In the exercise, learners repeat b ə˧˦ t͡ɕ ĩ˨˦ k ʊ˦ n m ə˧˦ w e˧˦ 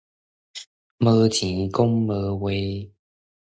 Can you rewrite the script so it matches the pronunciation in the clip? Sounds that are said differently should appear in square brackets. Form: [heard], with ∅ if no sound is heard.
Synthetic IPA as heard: [m] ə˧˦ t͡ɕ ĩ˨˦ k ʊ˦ [ŋ] m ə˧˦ w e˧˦